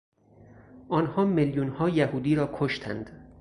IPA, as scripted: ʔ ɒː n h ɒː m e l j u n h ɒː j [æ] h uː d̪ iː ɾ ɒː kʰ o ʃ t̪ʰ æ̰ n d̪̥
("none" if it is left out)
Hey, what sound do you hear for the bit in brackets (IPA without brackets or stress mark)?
æ